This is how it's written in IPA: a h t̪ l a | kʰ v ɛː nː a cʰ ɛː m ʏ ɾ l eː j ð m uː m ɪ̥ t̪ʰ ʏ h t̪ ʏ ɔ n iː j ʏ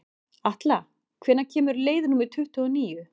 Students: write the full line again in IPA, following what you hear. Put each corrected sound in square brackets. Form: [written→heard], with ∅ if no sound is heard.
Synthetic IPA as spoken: a h t̪ l a | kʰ v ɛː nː a cʰ ɛː m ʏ ɾ l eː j ð [m→n] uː m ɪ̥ t̪ʰ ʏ h t̪ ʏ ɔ n iː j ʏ